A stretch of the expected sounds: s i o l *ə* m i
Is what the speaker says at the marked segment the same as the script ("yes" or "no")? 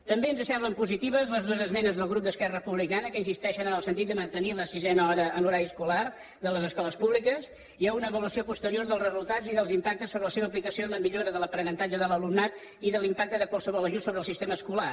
yes